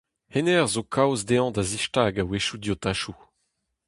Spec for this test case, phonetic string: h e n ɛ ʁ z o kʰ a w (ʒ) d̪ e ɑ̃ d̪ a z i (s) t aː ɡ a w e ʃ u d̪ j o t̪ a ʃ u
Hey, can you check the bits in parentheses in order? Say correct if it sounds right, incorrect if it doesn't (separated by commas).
incorrect, incorrect